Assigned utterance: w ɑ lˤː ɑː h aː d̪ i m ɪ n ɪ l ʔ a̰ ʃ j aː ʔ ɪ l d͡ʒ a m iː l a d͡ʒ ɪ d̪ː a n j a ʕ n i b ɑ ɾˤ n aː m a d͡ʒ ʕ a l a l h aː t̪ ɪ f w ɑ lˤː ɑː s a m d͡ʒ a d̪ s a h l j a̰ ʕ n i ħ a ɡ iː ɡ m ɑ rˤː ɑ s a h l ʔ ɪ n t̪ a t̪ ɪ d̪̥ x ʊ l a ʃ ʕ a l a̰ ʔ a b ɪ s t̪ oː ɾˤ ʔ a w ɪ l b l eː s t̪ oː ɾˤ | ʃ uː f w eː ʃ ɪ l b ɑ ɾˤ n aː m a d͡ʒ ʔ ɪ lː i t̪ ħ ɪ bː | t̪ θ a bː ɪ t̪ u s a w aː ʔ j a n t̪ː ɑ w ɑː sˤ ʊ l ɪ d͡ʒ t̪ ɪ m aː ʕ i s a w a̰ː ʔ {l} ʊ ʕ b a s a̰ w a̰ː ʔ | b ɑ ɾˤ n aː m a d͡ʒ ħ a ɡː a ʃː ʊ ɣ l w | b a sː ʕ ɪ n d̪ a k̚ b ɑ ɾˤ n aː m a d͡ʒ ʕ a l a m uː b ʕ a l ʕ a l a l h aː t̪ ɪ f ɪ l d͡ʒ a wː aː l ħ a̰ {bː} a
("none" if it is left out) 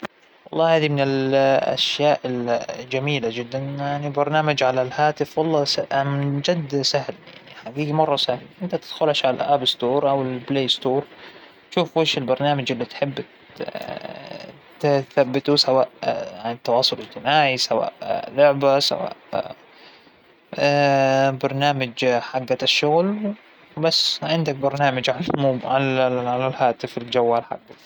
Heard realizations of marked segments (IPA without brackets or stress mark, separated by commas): l, ɡː